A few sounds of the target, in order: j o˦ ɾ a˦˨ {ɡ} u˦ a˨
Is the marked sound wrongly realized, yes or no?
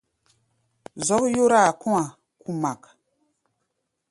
yes